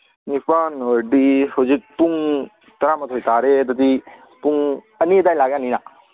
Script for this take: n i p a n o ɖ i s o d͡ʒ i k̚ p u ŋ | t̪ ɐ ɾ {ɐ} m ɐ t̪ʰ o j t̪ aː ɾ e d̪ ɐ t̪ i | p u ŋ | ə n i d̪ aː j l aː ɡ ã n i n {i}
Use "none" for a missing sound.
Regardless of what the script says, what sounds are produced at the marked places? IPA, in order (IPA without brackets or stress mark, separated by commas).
a, a